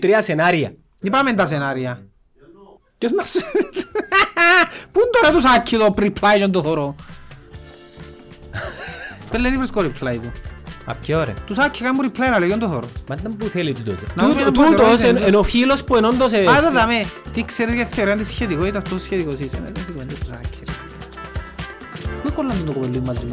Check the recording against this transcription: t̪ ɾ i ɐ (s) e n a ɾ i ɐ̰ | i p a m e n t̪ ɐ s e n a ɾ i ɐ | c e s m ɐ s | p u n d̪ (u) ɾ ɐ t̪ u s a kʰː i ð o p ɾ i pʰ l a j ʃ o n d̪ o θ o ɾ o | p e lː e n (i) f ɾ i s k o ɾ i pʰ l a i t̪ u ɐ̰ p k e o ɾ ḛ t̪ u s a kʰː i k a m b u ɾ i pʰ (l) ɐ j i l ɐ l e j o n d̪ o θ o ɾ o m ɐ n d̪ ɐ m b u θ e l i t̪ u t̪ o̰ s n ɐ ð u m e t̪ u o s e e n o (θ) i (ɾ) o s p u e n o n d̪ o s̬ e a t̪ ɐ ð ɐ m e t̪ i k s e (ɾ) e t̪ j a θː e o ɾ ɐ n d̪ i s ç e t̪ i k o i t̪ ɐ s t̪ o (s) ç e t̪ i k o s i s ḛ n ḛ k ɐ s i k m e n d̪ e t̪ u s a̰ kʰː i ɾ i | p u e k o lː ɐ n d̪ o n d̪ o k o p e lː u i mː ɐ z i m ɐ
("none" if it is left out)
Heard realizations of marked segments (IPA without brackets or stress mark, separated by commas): s, o, i, l, f, l, ɾ, s